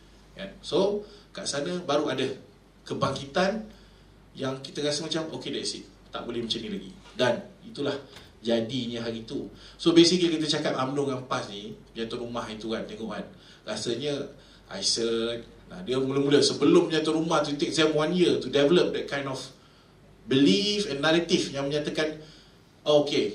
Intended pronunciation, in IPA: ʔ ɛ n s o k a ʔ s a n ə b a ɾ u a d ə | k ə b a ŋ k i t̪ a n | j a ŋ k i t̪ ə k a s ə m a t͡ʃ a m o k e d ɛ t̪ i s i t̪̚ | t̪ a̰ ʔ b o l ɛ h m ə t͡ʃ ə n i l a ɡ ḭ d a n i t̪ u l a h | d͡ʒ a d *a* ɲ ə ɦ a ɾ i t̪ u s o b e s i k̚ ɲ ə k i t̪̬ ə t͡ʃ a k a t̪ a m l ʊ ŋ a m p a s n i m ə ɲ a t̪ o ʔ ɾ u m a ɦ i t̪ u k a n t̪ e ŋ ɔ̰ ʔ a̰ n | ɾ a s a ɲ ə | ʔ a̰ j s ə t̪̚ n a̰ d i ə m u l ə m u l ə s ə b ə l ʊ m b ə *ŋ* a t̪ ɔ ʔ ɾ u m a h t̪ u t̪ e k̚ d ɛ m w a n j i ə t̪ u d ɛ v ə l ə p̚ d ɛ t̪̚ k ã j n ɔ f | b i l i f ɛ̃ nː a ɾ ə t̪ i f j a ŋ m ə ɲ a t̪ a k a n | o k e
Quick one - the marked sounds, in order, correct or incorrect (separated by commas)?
incorrect, incorrect